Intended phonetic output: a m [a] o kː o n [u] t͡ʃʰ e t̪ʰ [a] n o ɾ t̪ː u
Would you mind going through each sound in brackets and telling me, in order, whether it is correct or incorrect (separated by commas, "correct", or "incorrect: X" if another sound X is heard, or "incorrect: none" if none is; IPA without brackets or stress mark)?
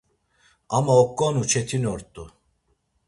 correct, correct, incorrect: i